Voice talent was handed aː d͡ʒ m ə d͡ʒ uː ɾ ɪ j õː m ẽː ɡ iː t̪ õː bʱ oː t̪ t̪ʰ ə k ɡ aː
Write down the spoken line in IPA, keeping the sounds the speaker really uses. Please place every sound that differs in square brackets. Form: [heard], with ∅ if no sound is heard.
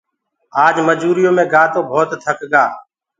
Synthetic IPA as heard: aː d͡ʒ m ə d͡ʒ uː ɾ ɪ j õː m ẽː ɡ [aː] t̪ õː bʱ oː t̪ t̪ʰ ə k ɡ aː